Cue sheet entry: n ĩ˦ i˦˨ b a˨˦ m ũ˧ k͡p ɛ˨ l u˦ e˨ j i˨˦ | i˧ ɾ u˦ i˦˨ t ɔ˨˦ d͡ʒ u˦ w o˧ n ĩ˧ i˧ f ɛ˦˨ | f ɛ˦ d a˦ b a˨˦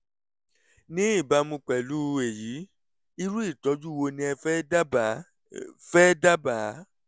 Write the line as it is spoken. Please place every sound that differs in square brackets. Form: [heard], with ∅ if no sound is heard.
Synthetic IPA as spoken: n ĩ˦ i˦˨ b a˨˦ m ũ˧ k͡p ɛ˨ l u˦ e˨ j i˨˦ | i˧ ɾ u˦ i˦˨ t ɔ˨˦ d͡ʒ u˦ w o˧ n ĩ˧ [ɛ˧] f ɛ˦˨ | f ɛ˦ d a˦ b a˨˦